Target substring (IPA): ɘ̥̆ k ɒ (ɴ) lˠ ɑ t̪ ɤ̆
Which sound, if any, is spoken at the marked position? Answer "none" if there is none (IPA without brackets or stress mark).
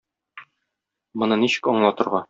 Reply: ɴ